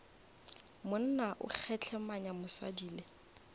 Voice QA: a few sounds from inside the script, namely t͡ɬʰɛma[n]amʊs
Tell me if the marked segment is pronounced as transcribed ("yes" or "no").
no